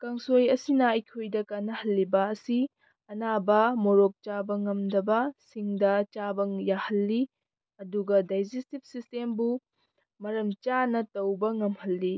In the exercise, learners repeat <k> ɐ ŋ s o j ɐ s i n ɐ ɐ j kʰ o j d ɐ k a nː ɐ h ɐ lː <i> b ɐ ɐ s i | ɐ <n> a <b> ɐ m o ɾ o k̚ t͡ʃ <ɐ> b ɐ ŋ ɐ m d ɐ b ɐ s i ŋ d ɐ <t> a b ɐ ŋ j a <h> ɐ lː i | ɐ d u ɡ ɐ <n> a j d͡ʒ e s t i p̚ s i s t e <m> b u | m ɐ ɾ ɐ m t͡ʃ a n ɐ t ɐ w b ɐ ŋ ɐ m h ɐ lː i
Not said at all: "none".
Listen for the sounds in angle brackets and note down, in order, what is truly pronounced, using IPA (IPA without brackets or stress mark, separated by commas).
k, i, n, b, a, t͡ʃ, h, d, m